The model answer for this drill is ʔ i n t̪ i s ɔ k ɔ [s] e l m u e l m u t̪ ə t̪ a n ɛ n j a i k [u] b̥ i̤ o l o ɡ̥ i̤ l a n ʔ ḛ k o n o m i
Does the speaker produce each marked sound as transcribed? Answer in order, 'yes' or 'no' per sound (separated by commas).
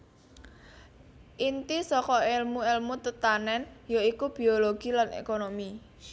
no, yes